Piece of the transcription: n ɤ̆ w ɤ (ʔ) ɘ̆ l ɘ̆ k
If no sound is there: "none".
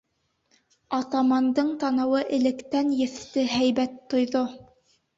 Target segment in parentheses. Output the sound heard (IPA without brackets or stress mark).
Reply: ʔ